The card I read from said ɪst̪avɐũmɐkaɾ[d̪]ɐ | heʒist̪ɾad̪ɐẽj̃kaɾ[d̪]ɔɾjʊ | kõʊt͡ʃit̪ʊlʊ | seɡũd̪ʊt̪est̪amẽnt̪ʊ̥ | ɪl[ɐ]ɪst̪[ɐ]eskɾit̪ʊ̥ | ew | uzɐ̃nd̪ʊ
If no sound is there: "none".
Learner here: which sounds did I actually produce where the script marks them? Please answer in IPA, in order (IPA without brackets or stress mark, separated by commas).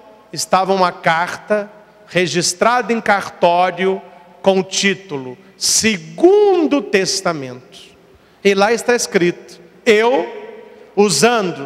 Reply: t̪, t̪, a, a